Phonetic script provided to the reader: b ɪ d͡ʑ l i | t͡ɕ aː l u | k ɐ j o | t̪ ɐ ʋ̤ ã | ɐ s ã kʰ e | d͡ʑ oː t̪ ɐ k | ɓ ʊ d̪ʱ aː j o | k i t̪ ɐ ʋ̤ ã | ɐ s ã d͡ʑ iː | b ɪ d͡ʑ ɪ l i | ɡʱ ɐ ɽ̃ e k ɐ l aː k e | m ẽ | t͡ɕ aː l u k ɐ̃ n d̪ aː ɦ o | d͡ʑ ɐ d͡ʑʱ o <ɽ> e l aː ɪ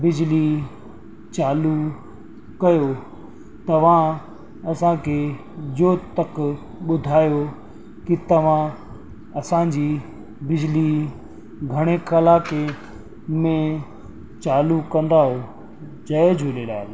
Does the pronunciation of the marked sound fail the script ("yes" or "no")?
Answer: yes